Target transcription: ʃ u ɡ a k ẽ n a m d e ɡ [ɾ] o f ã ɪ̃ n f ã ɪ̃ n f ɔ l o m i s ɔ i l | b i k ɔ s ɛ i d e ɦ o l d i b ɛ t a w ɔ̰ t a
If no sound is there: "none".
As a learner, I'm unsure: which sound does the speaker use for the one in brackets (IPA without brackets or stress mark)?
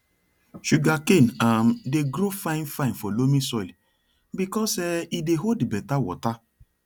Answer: ɾ